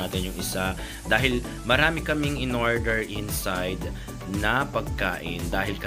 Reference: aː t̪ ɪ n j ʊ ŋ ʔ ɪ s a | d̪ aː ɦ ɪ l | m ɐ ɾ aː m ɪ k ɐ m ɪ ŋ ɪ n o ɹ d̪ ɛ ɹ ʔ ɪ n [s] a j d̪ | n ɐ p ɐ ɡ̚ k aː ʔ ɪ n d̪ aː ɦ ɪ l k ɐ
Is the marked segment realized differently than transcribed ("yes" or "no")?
no